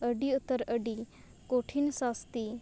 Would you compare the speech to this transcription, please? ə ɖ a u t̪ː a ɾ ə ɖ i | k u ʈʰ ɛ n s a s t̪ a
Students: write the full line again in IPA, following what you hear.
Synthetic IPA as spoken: ə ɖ i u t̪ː ə ɾ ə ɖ i | k o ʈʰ i n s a s t̪ i